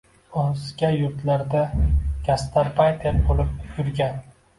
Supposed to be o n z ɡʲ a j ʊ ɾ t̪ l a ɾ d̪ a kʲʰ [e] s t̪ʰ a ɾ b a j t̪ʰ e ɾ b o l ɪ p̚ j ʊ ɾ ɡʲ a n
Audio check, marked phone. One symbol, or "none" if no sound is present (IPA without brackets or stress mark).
a